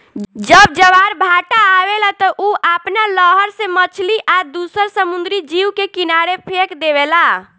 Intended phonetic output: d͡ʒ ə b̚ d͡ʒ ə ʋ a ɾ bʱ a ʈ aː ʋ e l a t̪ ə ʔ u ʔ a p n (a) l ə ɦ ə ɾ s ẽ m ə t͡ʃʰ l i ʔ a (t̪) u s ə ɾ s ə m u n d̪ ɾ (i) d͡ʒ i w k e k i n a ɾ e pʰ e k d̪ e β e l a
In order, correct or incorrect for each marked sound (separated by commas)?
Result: correct, incorrect, correct